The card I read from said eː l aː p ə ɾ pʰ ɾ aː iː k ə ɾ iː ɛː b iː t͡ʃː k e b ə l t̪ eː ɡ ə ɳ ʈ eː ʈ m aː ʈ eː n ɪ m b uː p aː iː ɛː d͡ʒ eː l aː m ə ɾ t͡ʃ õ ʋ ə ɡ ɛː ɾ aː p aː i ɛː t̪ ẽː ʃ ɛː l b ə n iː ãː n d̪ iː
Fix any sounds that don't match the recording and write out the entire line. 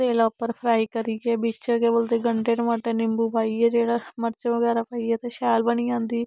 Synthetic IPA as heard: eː l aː p ə ɾ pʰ ɾ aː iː k ə ɾ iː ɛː b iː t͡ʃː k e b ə l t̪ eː ɡ ə ɳ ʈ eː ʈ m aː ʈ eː n ɪ m b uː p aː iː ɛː d͡ʒ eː ɽ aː m ə ɾ t͡ʃ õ ʋ ə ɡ ɛː ɾ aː p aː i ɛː t̪ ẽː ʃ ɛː l b ə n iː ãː n d̪ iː